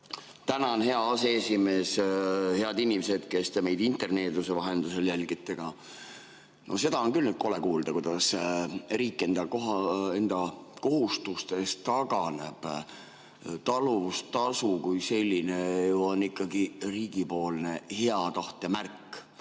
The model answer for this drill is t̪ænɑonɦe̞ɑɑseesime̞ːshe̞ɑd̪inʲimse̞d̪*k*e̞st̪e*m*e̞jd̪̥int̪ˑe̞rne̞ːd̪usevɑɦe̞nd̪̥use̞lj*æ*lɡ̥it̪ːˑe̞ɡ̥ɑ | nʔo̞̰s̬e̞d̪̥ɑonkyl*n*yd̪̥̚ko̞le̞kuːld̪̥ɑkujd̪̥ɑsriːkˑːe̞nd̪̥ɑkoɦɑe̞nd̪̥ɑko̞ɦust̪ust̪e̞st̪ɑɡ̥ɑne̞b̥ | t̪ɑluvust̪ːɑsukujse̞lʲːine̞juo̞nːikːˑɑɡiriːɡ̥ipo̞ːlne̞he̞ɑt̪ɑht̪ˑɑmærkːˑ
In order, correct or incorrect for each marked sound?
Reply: correct, correct, correct, correct

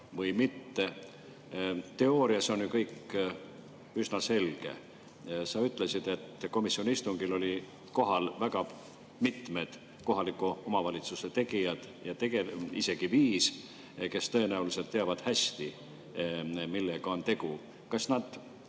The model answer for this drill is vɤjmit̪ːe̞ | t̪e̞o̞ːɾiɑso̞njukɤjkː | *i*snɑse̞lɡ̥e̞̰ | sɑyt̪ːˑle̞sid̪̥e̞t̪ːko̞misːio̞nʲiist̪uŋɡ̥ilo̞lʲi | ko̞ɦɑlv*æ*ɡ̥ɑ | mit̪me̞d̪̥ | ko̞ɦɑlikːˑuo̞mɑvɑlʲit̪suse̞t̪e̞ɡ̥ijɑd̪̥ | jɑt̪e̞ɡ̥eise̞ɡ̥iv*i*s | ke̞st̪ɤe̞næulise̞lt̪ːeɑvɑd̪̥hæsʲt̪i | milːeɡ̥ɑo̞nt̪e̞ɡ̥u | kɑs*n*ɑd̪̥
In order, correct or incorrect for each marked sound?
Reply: incorrect: y, correct, incorrect: iː, correct

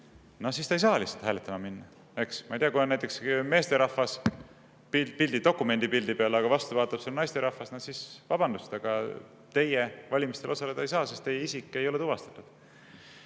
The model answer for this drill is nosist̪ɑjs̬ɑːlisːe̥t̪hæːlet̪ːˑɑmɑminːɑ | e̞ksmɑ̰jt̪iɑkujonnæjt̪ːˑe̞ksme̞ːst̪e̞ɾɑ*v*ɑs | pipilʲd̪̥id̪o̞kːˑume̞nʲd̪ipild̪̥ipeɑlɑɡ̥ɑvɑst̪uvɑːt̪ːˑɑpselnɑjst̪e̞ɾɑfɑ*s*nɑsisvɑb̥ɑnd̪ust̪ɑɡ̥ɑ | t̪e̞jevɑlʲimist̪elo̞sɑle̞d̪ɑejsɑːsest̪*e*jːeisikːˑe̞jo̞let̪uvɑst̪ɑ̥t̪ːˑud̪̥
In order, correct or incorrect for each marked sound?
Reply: incorrect: f, correct, correct

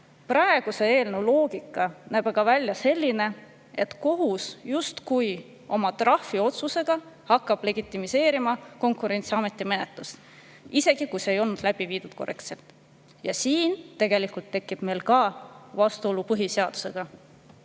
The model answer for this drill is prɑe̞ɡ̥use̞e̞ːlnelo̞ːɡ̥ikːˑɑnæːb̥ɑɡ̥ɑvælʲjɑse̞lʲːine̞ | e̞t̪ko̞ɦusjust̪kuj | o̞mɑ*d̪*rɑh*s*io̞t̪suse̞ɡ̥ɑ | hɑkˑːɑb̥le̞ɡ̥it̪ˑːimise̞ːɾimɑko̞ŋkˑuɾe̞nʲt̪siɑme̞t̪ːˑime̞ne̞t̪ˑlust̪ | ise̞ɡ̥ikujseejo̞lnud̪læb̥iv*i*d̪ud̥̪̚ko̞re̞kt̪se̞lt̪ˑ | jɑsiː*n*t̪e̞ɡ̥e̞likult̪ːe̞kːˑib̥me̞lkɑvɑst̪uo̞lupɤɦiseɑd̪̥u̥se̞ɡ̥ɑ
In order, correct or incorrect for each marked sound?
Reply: incorrect: t̪, incorrect: f, incorrect: iː, correct

